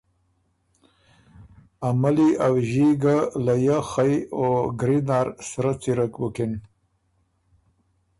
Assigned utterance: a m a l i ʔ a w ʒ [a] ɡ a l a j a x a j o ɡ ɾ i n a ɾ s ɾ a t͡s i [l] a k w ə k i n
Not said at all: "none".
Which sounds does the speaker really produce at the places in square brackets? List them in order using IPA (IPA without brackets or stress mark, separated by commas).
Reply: i, ɾ